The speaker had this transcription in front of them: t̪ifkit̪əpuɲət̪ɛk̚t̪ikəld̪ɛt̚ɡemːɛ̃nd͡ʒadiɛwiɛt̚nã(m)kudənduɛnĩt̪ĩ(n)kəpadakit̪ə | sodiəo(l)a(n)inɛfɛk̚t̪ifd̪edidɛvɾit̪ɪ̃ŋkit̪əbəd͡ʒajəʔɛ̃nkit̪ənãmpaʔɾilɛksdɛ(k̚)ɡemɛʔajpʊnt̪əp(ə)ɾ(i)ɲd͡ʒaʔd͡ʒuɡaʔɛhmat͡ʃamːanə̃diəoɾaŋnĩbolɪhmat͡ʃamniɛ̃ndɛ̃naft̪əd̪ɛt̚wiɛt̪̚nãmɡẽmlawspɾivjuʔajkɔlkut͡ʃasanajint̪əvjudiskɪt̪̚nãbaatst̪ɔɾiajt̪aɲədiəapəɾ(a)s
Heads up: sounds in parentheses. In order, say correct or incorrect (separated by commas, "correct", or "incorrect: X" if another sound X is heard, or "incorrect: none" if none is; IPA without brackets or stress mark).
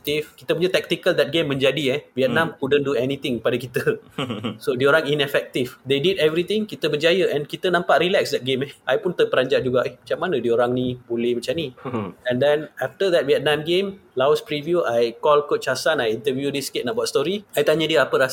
correct, incorrect: ŋ, incorrect: ɾ, incorrect: ŋ, incorrect: t̚, correct, incorrect: a, correct